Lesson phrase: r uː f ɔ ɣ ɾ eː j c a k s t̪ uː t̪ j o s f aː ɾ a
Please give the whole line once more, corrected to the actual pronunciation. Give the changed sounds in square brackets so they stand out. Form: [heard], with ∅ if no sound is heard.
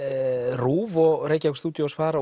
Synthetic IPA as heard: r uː [v] ɔ ɣ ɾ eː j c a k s t̪ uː t̪ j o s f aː ɾ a